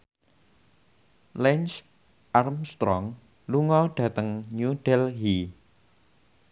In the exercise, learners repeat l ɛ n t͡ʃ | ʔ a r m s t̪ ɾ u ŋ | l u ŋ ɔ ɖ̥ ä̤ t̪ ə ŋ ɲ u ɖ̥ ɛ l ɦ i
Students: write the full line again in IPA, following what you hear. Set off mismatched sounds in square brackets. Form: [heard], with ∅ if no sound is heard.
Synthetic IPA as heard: l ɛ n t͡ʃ | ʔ a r m s t̪ ɾ [ɔ] ŋ | l u ŋ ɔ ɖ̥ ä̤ t̪ ə ŋ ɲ u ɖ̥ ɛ l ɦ i